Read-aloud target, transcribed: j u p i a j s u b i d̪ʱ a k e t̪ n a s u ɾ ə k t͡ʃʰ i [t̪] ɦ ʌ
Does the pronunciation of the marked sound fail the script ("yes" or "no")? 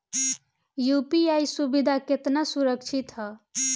no